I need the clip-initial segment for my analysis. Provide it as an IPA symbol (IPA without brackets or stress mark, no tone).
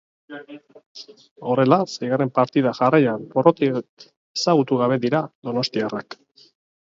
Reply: o̞